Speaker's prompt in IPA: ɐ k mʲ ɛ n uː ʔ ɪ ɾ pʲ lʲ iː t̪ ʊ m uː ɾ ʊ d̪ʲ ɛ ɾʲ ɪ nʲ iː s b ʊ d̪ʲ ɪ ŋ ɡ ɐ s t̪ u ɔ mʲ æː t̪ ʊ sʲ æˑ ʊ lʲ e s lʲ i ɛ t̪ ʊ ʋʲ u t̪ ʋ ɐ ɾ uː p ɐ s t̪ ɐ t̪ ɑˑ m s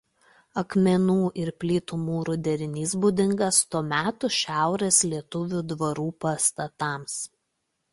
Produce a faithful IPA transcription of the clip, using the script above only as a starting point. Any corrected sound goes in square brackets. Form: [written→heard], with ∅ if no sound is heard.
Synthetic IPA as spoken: ɐ k mʲ ɛ n uː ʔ ɪ ɾ pʲ lʲ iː t̪ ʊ m uː ɾ ʊ d̪ʲ ɛ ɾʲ ɪ nʲ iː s b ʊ d̪ʲ ɪ ŋ ɡ ɐ s t̪ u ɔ mʲ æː t̪ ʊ [sʲ→ʃʲ] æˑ ʊ [lʲ→ɾʲ] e s lʲ i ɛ t̪ ʊ ʋʲ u [t̪→d̪] ʋ ɐ ɾ uː p ɐ s t̪ ɐ t̪ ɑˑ m s